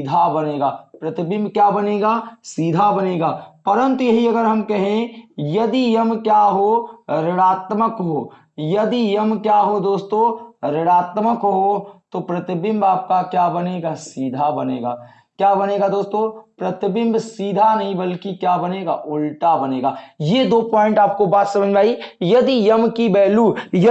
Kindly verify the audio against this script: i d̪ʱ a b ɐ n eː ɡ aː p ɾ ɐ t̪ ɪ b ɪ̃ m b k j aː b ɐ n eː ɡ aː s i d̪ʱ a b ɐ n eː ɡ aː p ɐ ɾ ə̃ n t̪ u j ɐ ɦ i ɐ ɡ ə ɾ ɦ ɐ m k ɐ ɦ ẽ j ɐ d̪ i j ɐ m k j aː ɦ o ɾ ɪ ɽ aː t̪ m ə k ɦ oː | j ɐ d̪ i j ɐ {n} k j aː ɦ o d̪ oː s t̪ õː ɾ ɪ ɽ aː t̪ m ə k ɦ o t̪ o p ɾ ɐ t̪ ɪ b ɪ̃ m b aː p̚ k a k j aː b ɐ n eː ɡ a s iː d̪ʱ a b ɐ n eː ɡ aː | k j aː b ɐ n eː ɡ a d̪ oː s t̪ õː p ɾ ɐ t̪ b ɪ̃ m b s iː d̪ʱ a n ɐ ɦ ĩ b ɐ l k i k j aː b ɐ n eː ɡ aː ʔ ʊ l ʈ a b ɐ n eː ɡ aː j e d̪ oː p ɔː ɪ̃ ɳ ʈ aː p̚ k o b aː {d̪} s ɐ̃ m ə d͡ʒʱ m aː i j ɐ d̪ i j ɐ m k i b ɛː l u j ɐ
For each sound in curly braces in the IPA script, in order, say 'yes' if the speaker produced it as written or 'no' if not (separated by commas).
no, no